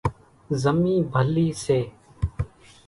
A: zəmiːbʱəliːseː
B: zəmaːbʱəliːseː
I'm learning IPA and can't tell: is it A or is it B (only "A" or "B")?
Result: A